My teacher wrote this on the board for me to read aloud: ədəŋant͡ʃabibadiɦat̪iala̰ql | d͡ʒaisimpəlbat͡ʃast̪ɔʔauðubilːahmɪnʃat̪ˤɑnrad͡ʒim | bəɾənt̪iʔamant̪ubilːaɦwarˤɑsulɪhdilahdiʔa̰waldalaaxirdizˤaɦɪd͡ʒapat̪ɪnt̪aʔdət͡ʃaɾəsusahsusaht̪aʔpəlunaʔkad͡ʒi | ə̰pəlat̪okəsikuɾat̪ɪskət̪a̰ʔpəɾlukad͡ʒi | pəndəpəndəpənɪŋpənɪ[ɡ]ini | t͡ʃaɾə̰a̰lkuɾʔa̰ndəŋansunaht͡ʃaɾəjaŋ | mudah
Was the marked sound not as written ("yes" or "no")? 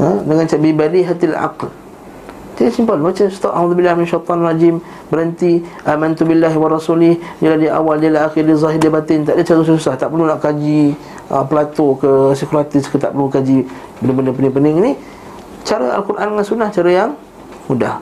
yes